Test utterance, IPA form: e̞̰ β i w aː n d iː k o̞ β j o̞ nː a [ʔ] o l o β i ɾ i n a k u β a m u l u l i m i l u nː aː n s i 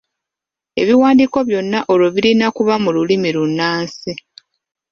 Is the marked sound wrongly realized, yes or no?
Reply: no